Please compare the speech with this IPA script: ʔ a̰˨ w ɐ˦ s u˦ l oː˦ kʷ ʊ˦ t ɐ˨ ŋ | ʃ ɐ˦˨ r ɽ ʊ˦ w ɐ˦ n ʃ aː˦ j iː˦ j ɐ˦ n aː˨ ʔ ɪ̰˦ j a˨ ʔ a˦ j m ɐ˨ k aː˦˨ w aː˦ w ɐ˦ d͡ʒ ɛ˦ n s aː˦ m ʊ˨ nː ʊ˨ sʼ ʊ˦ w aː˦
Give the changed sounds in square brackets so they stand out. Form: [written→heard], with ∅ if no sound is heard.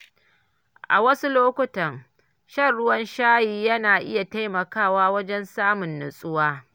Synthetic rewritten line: ʔ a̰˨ w ɐ˦ s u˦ l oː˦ kʷ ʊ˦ t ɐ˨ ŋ | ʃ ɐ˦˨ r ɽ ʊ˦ w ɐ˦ n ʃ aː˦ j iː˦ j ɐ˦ n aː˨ ʔ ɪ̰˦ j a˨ [ʔ→t] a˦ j m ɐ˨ k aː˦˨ w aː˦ w ɐ˦ d͡ʒ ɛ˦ n s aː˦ m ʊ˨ nː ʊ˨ sʼ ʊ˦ w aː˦